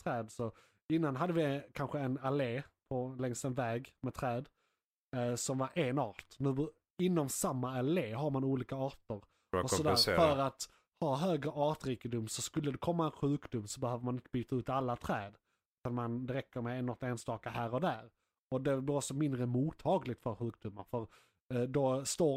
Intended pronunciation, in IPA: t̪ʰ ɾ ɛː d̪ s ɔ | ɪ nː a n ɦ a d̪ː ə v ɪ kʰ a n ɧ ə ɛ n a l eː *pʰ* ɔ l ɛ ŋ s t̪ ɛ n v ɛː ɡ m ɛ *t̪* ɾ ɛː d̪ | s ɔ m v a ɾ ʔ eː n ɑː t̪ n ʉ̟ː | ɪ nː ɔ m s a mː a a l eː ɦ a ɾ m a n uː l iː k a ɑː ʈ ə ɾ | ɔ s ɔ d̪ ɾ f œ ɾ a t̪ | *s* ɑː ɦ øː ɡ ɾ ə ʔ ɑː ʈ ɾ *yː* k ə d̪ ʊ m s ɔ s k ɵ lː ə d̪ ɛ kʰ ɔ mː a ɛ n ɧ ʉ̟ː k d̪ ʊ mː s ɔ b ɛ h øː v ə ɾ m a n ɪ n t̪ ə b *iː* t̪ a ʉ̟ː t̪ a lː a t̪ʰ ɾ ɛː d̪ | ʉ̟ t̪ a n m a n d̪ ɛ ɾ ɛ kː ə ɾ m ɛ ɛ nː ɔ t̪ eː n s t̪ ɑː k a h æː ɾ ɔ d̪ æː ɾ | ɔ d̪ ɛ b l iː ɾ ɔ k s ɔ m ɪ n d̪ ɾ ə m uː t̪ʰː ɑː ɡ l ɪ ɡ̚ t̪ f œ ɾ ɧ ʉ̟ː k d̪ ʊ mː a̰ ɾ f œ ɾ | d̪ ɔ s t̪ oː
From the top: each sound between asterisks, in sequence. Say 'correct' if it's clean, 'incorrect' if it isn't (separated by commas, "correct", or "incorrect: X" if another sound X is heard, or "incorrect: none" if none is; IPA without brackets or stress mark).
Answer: correct, incorrect: t̪ʰ, incorrect: h, incorrect: iː, incorrect: yː